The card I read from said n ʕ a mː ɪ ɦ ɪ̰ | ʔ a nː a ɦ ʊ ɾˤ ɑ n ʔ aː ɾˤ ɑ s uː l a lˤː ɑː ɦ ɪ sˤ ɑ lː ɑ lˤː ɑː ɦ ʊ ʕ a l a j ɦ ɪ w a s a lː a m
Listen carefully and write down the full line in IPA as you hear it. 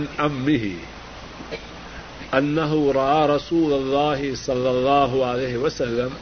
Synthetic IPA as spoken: n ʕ a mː ɪ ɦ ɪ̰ | ʔ a nː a ɦ ʊ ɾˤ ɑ ʔ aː ɾˤ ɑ s uː l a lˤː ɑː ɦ ɪ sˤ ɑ lː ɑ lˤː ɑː ɦ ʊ ʕ a l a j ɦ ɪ w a s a lː a m